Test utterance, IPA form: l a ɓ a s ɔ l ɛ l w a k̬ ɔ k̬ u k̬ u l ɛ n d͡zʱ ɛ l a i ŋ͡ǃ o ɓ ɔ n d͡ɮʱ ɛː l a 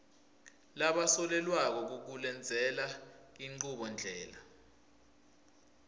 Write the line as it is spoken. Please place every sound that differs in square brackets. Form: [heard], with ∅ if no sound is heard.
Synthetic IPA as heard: l a ɓ a s ɔ l ɛ l w a k̬ ɔ k̬ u k̬ u l ɛ n d͡zʱ ɛ l a i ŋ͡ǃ [u] ɓ ɔ n d͡ɮʱ ɛː l a